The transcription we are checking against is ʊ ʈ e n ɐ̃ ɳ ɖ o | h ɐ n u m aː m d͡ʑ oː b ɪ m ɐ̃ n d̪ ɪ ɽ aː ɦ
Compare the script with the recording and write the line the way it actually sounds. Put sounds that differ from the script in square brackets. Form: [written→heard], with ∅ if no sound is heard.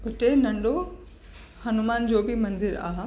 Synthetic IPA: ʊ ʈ e n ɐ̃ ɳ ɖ o | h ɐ n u m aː [m→n] d͡ʑ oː b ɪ m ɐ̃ n d̪ ɪ [ɽ→ɾ] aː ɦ